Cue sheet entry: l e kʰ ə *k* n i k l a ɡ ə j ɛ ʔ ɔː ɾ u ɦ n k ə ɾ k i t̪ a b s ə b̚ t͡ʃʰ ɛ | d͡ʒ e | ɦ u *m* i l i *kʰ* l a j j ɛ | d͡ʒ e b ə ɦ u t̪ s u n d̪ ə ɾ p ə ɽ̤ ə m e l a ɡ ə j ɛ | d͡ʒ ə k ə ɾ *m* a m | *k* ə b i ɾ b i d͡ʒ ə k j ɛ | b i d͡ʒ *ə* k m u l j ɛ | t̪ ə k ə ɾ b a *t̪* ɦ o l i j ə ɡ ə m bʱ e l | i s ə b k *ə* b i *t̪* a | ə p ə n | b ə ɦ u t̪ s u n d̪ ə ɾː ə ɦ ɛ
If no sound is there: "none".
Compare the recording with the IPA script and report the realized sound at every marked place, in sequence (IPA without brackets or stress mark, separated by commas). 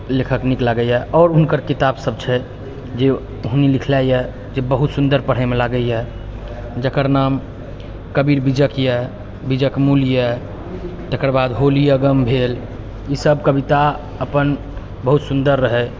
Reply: k, n, kʰ, n, k, ə, d̪, ə, t̪